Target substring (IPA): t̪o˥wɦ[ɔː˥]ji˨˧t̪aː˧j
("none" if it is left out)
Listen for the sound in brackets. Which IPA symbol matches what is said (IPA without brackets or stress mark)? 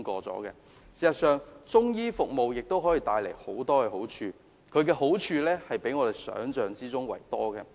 ɔː˨˥